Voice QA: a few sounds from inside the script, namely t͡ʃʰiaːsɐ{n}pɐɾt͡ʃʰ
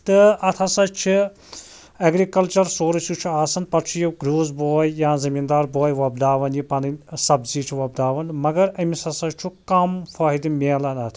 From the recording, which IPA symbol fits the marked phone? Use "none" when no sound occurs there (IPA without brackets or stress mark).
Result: n